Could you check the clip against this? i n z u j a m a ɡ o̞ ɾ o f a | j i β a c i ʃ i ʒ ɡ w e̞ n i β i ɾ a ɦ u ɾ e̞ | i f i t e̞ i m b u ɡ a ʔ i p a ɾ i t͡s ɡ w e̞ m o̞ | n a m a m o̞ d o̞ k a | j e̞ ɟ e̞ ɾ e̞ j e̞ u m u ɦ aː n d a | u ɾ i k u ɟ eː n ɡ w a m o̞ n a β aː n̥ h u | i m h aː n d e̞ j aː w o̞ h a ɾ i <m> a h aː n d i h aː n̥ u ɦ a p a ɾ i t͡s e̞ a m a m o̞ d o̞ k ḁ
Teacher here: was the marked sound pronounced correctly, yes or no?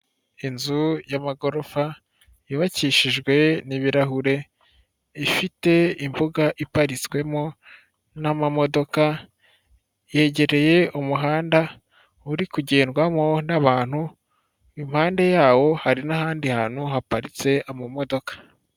no